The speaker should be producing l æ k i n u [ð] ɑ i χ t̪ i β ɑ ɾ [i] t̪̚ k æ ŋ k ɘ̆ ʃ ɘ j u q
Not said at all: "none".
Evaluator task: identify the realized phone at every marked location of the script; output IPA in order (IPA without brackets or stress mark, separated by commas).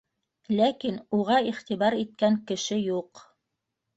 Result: ʁ, i